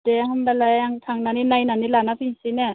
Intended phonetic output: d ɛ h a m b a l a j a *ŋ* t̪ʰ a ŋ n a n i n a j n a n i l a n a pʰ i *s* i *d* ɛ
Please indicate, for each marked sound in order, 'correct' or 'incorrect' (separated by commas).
correct, correct, incorrect